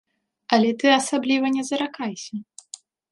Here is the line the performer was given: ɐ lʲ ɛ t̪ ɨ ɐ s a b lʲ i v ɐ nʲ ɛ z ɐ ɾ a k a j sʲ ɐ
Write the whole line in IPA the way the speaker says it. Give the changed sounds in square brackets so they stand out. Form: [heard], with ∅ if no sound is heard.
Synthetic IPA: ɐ lʲ ɛ t̪ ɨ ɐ s a b lʲ i v ɐ nʲ ɛ z ɐ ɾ a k a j sʲ ɐ